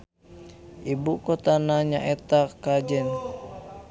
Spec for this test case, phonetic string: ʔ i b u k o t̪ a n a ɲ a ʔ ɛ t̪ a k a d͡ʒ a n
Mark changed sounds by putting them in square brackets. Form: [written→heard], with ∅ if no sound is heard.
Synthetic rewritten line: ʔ i b u k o t̪ a n a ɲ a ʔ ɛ t̪ a k a d͡ʒ [a→ɛ] n